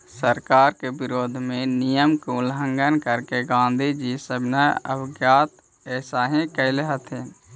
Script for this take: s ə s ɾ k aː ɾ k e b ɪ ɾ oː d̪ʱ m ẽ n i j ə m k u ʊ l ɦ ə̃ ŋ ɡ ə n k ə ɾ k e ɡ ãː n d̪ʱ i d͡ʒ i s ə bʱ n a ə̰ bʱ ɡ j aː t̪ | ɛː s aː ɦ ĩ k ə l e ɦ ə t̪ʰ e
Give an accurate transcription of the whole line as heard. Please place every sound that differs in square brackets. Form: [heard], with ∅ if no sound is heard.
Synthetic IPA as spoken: s ə [∅] ɾ k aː ɾ k e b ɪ ɾ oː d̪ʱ m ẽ n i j ə m k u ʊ l ɦ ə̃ ŋ ɡ ə n k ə ɾ k e ɡ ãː n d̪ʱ i d͡ʒ i s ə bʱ n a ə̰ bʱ ɡ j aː t̪ | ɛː s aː ɦ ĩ k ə l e ɦ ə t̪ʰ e